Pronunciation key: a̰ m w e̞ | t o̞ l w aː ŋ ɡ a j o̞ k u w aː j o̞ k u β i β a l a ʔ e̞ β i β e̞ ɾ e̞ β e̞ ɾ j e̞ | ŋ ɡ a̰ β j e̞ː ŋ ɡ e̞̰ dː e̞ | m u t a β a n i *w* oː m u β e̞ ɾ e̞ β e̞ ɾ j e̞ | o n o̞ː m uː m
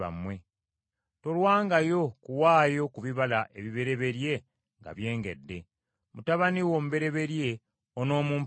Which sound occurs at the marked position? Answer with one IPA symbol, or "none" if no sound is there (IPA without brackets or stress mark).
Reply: w